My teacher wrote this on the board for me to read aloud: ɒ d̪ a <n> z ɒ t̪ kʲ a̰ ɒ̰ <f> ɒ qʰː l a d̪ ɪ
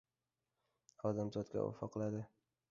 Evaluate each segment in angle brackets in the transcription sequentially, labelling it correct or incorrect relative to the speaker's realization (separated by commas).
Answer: incorrect, correct